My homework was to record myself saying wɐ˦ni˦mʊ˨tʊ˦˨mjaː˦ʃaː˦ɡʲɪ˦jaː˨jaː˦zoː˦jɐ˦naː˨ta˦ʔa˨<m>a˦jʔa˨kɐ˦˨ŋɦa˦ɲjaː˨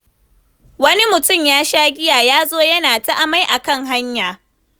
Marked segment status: correct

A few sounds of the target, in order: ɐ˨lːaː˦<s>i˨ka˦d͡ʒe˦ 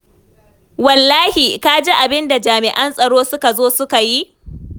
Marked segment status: incorrect: h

